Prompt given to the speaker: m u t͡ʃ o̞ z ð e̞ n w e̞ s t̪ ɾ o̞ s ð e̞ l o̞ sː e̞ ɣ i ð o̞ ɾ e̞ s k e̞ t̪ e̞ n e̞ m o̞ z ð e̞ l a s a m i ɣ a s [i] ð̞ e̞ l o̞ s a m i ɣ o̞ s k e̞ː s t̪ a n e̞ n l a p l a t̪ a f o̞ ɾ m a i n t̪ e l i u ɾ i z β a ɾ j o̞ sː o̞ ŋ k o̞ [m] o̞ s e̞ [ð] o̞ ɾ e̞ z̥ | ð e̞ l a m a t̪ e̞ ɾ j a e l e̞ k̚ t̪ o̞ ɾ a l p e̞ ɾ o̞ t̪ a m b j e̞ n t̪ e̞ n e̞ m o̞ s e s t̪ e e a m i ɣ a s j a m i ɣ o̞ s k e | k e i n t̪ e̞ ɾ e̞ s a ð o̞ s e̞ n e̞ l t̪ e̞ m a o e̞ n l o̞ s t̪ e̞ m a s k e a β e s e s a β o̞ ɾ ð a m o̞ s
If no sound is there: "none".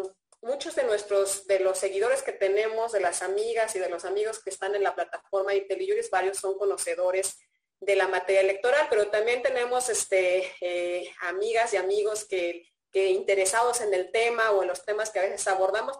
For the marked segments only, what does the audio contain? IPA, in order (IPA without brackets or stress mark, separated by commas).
i, n, ð